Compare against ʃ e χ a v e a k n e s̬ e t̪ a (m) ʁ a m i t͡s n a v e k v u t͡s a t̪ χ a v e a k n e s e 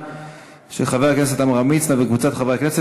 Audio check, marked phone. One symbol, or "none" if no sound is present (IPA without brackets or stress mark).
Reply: m